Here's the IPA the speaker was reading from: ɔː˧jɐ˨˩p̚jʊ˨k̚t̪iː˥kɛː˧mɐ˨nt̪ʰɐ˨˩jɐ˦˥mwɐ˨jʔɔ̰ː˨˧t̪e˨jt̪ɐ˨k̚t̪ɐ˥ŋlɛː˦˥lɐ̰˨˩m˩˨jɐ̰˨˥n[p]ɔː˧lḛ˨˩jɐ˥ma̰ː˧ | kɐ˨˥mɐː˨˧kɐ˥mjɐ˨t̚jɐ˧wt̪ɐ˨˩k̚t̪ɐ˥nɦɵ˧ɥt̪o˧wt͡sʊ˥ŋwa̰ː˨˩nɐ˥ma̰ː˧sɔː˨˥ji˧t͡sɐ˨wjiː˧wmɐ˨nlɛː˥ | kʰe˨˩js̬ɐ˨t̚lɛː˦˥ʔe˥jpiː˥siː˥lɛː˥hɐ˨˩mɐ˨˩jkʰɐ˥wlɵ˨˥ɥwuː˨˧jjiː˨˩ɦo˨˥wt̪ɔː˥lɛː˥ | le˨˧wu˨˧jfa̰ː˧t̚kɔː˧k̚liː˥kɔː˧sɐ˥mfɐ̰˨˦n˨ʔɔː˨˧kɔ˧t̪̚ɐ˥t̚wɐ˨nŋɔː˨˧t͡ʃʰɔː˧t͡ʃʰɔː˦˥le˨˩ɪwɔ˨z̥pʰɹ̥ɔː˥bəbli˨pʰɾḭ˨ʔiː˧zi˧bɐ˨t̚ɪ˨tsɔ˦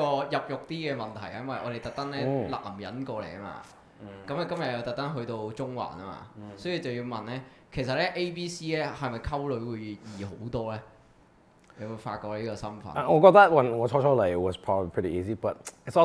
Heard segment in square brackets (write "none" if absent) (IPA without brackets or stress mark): k